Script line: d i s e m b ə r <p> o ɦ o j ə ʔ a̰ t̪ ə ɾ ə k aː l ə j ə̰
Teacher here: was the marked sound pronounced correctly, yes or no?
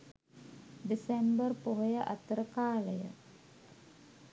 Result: yes